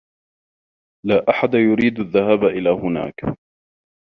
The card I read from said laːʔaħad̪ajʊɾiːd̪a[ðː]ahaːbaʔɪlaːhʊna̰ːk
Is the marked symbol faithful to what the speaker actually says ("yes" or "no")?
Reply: yes